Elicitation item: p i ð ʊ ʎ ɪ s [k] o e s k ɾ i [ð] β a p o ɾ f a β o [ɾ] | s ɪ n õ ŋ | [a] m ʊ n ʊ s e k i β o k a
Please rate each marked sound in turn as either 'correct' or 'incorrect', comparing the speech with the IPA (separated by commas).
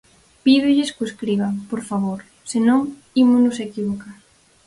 correct, incorrect, correct, incorrect